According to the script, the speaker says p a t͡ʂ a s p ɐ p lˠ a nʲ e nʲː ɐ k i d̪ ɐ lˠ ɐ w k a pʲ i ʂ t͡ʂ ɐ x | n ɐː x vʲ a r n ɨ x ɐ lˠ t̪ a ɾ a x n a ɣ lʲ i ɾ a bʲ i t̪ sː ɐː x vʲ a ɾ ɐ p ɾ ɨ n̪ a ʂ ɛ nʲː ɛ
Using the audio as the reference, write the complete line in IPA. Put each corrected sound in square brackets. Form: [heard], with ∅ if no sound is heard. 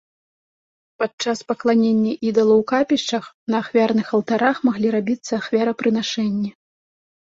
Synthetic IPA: p a t͡ʂ a s p ɐ [k] lˠ a nʲ e nʲː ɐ [ʔ] i d̪ ɐ lˠ ɐ w k a pʲ i ʂ t͡ʂ ɐ x | n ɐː x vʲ a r n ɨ x ɐ lˠ t̪ a ɾ a x [m] a ɣ lʲ i ɾ a bʲ i t̪ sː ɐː x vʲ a ɾ ɐ p ɾ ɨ n̪ a ʂ ɛ nʲː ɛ